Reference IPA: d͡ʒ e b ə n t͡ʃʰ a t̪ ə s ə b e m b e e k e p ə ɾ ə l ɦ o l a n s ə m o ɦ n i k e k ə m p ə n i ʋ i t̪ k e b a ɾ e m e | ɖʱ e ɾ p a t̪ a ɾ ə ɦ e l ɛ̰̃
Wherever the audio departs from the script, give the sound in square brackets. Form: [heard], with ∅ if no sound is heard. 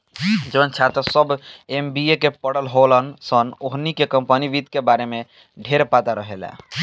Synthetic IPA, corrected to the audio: d͡ʒ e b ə n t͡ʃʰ a t̪ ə s ə b e m b [i] e k e p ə [ɽ] ə l ɦ o l [ə] n s ə [n] o ɦ n i k e k ə m p ə n i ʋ i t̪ k e b a ɾ e m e | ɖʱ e ɾ p a t̪ a ɾ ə ɦ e l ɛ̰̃